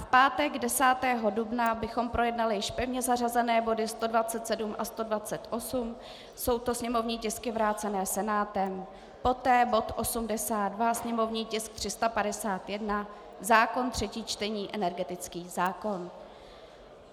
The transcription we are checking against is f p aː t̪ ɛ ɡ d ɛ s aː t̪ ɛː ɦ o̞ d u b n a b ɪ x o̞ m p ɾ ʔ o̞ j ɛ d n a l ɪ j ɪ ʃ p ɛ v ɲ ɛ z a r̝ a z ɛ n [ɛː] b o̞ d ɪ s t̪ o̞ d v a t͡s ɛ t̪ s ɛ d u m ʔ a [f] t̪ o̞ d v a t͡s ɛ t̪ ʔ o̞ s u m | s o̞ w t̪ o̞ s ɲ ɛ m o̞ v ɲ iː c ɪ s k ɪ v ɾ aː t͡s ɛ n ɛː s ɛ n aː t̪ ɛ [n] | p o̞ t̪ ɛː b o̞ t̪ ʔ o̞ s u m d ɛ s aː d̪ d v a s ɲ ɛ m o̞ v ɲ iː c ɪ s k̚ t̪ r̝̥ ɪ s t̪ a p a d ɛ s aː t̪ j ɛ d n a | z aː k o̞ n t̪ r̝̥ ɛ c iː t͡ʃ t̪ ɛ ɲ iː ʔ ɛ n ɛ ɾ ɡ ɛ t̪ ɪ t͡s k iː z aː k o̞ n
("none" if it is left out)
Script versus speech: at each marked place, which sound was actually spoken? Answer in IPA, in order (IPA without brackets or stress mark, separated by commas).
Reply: ɛː, s, m